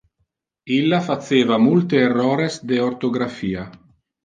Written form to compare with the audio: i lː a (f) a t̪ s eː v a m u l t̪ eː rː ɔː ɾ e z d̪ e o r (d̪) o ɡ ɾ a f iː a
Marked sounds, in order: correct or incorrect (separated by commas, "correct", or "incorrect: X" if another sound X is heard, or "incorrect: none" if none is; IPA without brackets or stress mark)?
correct, incorrect: t̪